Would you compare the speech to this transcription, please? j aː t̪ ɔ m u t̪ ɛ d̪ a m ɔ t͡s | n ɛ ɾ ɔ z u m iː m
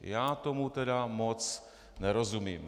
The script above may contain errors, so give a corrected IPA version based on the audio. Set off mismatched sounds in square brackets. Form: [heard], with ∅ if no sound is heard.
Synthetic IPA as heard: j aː t̪ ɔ m u t̪ ɛ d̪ a m ɔ t͡s | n ɛ ɾ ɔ z u m iː m